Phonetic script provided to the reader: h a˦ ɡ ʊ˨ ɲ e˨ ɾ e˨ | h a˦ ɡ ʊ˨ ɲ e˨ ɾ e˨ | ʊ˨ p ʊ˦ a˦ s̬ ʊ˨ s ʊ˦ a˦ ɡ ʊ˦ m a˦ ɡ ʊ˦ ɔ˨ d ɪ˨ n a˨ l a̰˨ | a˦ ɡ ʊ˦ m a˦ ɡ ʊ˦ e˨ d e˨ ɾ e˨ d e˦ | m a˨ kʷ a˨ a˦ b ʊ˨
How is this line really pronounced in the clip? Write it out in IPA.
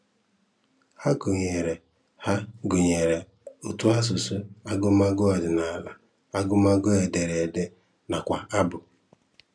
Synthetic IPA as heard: h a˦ ɡ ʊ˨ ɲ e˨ ɾ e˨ | h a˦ ɡ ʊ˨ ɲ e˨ ɾ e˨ | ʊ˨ t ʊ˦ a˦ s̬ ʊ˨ s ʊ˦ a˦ ɡ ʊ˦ m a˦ ɡ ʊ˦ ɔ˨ d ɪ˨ n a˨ l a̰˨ | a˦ ɡ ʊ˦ m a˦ ɡ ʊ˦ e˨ d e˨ ɾ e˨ d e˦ | n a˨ kʷ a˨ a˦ b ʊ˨